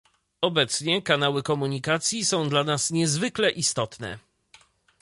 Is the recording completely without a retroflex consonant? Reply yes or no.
yes